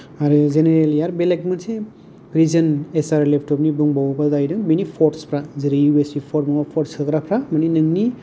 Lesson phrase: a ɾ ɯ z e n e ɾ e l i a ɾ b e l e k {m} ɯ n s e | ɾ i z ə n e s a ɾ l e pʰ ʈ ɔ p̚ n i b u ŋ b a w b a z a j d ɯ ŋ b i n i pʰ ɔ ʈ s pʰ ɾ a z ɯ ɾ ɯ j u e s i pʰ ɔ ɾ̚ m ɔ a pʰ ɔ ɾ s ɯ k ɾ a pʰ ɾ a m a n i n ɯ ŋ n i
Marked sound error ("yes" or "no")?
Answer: no